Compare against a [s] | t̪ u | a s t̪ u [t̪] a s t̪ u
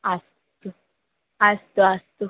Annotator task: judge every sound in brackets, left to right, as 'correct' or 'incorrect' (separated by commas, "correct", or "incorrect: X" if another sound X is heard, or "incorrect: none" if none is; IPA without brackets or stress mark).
correct, incorrect: none